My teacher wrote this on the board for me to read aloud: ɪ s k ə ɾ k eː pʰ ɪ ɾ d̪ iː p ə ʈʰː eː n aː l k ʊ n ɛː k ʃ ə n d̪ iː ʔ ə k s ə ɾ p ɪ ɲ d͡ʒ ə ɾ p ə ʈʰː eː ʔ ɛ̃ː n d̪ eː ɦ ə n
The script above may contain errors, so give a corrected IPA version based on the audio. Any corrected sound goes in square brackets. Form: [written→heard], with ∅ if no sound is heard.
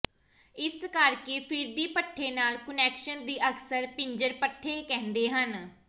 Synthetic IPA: ɪ s k ə ɾ k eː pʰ ɪ ɾ d̪ iː p ə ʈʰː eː n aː l k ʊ n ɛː k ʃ ə n d̪ iː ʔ ə k s ə ɾ p ɪ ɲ d͡ʒ ə ɾ p ə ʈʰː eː [ʔ→k] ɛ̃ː n d̪ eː ɦ ə n

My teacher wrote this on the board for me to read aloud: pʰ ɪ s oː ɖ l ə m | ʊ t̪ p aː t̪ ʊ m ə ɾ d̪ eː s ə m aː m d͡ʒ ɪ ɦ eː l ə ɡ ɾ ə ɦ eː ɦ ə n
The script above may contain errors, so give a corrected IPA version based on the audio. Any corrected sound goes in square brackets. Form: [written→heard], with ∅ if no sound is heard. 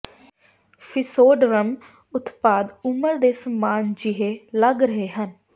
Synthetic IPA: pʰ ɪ s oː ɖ [l→ɾ] ə m | ʊ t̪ p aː [t̪→d̪] ʊ m ə ɾ d̪ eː s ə m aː [m→n] d͡ʒ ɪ ɦ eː l ə ɡ ɾ ə ɦ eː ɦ ə n

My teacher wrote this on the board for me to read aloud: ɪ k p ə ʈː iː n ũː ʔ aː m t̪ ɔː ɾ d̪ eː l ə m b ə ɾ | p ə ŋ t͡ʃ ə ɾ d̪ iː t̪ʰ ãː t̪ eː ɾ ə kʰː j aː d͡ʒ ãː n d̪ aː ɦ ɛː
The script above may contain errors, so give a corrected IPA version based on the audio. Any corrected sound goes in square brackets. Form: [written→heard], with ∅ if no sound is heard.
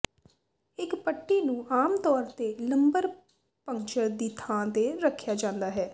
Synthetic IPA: ɪ k p ə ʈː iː n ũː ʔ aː m t̪ ɔː ɾ [d̪→t̪] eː l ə m b ə ɾ | p ə ŋ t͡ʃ ə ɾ d̪ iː t̪ʰ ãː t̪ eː ɾ ə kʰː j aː d͡ʒ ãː n d̪ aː ɦ ɛː

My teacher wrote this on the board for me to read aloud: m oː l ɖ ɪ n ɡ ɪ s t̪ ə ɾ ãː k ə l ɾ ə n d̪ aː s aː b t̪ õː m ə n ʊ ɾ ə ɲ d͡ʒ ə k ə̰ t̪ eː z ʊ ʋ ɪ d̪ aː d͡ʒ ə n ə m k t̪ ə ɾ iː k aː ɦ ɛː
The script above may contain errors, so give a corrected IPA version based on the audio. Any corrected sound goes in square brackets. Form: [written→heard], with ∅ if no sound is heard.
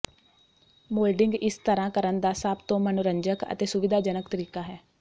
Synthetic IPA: m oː l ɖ ɪ [n→ŋ] ɡ ɪ s t̪ ə ɾ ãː k ə [l→∅] ɾ ə n d̪ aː s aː b t̪ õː m ə n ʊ ɾ ə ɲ d͡ʒ ə k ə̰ t̪ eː [z→s] ʊ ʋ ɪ d̪ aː d͡ʒ ə n ə [m→∅] k t̪ ə ɾ iː k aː ɦ ɛː

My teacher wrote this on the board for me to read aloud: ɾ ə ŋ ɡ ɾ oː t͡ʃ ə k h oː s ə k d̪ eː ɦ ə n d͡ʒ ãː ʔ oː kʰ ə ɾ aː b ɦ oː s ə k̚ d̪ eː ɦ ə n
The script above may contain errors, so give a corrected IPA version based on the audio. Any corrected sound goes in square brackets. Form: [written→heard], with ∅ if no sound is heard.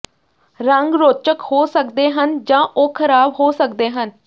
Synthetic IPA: ɾ ə ŋ ɡ ɾ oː t͡ʃ ə k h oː s ə k d̪ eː ɦ ə n d͡ʒ ãː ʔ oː kʰ ə ɾ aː b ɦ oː s ə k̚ d̪ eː ɦ ə n

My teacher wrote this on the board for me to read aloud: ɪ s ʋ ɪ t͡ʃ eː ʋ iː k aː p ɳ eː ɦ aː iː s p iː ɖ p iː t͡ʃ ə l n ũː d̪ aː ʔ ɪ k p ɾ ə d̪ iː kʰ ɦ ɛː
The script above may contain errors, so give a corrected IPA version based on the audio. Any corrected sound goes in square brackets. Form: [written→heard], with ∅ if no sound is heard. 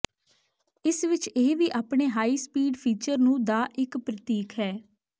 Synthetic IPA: ɪ s ʋ ɪ t͡ʃ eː ʋ iː [k→ʔ] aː p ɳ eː ɦ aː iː s p iː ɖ [p→pʰ] iː t͡ʃ ə [l→ɾ] n ũː d̪ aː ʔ ɪ k p ɾ ə [d̪→t̪] iː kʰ ɦ ɛː

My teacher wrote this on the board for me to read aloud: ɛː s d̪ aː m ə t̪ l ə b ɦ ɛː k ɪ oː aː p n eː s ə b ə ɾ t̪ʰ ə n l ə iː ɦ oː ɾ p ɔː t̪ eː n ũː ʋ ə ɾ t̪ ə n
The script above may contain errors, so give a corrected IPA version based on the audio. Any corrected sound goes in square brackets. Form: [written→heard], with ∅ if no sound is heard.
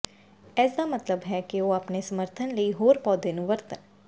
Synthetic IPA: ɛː s d̪ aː m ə t̪ l ə b ɦ ɛː k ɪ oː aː p n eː s ə [b→m] ə ɾ t̪ʰ ə n l ə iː ɦ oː ɾ p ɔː [t̪→d̪] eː n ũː ʋ ə ɾ t̪ ə n

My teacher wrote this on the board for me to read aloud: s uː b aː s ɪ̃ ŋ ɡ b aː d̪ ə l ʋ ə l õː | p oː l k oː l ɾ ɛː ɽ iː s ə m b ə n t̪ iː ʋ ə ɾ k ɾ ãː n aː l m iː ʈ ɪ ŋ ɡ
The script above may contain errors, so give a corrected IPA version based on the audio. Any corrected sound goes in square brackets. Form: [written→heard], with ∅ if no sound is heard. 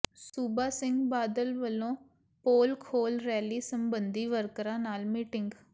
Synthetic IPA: s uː b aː s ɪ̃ ŋ ɡ b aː d̪ ə l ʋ ə l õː | p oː l [k→kʰ] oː l ɾ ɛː [ɽ→l] iː s ə m b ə n [t̪→d̪] iː ʋ ə ɾ k ɾ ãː n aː l m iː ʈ ɪ ŋ ɡ

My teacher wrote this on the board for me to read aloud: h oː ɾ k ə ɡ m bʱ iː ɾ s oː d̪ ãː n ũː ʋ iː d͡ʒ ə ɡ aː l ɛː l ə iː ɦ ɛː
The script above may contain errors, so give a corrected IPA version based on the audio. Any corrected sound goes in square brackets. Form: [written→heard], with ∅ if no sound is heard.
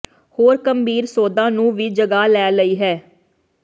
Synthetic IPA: h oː ɾ k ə [ɡ→∅] m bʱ iː ɾ s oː d̪ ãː n ũː ʋ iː d͡ʒ ə ɡ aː l ɛː l ə iː ɦ ɛː

